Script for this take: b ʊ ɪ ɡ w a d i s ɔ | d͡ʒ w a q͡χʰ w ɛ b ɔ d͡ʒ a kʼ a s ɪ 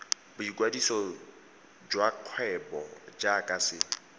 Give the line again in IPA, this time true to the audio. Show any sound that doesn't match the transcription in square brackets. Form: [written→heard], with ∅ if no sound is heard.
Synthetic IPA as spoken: b ʊ [ɪ→i] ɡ w a d i s ɔ | d͡ʒ w a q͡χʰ w ɛ b ɔ d͡ʒ a kʼ a s ɪ

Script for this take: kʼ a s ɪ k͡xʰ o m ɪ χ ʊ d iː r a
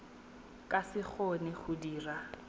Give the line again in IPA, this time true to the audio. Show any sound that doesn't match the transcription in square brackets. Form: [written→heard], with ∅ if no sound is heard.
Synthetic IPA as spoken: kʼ a s ɪ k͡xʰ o [m→n] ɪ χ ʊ d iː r a

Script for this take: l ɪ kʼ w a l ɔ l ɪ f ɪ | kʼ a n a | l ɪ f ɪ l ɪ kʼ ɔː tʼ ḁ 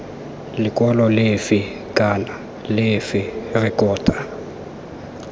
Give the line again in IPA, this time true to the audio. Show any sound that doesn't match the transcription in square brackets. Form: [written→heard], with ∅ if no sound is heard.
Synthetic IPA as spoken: l ɪ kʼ w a l ɔ l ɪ f ɪ | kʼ a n a | l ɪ f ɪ [l→r] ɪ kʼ ɔː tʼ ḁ

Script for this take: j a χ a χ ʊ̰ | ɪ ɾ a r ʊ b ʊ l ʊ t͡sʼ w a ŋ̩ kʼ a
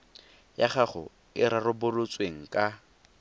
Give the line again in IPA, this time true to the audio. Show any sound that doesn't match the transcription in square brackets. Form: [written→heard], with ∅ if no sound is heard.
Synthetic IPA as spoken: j a χ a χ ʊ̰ | ɪ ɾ a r ʊ b ʊ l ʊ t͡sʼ w [a→e] ŋ̩ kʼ a

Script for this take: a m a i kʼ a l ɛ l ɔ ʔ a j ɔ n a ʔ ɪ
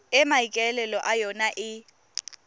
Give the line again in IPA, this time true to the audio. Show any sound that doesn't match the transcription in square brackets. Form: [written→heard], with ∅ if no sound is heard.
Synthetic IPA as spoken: [a→ɛ] m a i kʼ [a→ɛ] l ɛ l ɔ ʔ a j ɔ n a ʔ ɪ

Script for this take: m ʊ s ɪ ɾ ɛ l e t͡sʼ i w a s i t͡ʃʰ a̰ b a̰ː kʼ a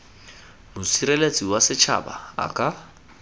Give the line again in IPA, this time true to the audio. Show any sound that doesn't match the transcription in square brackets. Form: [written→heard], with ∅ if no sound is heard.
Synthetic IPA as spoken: m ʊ s [ɪ→i] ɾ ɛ l e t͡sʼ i w a s [i→ɪ] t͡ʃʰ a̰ b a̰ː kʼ a

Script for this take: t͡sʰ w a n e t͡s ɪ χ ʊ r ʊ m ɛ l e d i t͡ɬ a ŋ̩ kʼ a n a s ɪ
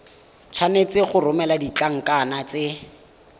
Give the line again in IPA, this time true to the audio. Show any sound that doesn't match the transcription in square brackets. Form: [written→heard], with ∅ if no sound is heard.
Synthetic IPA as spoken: t͡sʰ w a n e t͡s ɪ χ ʊ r ʊ m ɛ l [e→a] d i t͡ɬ a ŋ̩ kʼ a n a [s→t͡s] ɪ

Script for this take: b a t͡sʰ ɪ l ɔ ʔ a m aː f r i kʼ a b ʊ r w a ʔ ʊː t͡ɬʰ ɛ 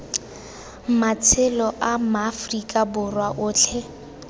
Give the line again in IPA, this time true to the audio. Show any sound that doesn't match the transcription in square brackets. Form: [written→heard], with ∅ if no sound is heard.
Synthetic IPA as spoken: [b→m] a t͡sʰ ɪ l ɔ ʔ a m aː f r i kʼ a b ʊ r w a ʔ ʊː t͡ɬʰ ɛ

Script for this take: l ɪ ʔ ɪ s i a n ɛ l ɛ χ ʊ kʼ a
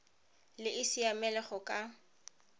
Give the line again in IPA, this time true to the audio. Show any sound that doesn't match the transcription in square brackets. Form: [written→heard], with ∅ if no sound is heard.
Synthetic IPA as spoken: l ɪ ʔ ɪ s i a [n→m] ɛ l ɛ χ ʊ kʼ a

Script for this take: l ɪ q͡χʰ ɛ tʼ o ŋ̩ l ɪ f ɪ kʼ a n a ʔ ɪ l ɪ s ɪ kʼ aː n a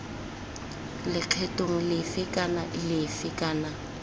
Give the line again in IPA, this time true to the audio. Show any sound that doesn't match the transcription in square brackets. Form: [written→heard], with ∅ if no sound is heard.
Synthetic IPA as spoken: l ɪ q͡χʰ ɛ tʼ o ŋ̩ l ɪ f ɪ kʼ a n a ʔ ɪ l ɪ [s→f] ɪ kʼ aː n a

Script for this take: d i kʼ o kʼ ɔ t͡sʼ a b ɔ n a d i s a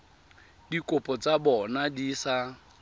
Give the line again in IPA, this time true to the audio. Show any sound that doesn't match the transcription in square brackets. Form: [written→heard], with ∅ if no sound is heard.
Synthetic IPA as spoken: d i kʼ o [kʼ→pʼ] ɔ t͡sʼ a b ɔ n a d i s a

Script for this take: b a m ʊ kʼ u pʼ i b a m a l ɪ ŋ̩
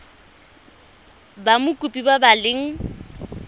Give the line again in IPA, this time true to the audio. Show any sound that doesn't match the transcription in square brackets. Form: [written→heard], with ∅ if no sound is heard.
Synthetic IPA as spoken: b a m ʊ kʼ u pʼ i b a [m→b] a l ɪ ŋ̩

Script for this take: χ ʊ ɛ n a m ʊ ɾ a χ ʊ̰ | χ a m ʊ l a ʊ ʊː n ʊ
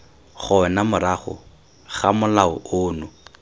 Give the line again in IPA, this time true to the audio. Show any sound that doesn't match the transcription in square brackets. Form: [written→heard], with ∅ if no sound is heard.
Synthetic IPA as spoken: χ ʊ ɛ n a m ʊ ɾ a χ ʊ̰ | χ a m ʊ l a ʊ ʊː n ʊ

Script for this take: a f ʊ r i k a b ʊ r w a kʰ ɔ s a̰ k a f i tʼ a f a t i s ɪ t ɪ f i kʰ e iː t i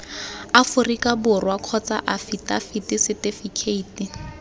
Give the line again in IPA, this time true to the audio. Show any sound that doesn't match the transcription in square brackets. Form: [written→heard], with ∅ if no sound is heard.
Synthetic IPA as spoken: a f ʊ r i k a b ʊ r w a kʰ ɔ [s→t͡s] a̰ [k→ʔ] a f i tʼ a f [a→i] t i s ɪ t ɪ f i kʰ e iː t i

